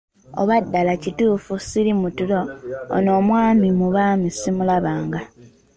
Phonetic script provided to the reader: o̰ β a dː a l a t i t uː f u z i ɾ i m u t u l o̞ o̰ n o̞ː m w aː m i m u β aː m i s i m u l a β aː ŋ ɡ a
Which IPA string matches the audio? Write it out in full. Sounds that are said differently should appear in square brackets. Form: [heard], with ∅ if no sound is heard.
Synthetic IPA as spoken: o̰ β a dː a l a [c] i t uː f u [s] i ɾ i m u t u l o̞ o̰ n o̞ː m w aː m i m u β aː m i s i m u l a β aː ŋ ɡ a